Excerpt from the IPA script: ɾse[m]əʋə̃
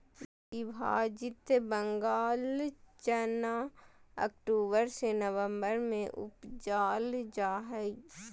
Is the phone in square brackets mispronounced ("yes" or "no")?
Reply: yes